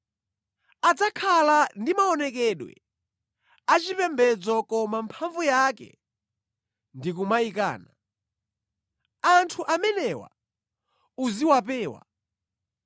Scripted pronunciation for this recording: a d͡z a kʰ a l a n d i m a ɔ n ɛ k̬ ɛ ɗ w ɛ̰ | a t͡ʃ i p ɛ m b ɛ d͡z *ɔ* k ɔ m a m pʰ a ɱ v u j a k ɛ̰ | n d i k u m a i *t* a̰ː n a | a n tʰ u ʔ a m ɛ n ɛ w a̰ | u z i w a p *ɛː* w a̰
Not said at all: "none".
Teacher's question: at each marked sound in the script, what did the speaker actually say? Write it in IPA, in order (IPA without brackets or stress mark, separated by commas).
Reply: ɔ, k, ɛː